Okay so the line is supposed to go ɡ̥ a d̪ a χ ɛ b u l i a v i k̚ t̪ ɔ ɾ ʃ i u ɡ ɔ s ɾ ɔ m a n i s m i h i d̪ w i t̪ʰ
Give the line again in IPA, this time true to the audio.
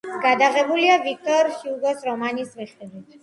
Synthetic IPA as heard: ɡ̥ a d̪ a ʁ ɛ b u l i a v i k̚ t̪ ɔ ɾ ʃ i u ɡ ɔ s ɾ ɔ m a n i s m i χ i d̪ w i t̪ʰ